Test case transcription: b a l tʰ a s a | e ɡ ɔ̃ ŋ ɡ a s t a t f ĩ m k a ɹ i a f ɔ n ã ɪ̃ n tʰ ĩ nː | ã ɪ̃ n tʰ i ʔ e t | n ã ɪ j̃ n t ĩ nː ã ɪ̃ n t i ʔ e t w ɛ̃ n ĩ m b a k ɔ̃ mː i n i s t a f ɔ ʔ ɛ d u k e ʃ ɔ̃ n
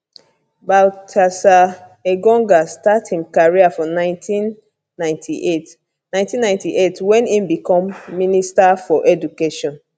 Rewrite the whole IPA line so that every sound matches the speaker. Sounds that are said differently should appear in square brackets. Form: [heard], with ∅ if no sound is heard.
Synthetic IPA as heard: b a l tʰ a s a | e ɡ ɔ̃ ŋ ɡ a s t a t [h] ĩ m k a ɹ i a f ɔ n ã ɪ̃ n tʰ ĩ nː | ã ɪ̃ n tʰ i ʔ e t | n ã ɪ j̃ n t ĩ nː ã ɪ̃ n t i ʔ e t w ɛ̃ n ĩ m b [i] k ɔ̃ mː i n i s t a f ɔ ʔ ɛ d u k e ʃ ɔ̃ n